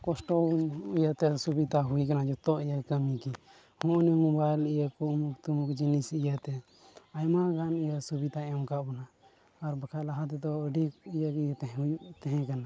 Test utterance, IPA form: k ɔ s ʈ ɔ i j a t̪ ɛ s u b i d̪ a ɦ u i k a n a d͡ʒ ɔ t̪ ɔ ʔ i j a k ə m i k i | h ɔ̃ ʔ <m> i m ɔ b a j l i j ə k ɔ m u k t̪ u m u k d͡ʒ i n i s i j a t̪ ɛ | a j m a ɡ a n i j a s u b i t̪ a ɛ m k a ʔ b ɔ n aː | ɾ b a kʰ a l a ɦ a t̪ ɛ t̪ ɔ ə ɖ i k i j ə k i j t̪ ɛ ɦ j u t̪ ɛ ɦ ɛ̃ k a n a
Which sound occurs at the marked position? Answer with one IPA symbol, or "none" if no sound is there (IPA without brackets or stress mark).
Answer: n